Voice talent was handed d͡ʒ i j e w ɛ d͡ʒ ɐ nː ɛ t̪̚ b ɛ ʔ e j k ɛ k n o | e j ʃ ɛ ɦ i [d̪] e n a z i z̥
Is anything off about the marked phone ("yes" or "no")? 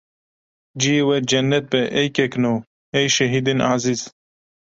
no